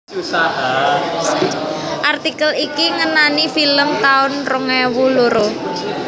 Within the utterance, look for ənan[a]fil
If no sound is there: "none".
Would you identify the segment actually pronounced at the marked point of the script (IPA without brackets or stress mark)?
i